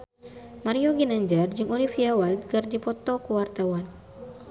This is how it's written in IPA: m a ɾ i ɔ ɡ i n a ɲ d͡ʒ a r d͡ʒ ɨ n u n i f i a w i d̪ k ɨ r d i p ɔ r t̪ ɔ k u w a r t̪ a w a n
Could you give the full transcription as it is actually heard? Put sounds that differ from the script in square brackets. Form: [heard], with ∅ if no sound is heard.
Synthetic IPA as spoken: m a ɾ i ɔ ɡ i n a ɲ d͡ʒ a r d͡ʒ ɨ [ŋ] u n i f i a w [a] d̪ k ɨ r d i p ɔ [∅] t̪ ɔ k u w a r t̪ a w a n